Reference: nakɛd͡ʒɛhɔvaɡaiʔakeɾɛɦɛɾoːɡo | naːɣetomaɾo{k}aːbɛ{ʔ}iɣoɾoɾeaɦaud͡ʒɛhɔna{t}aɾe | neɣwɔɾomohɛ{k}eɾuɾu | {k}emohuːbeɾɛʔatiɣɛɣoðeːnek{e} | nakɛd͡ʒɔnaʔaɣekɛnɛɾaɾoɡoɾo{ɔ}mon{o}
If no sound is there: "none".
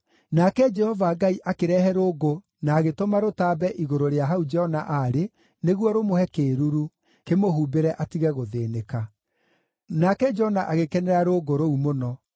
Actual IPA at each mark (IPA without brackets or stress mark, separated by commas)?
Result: t, ʔ, ʔ, k, k, a, u, ɔ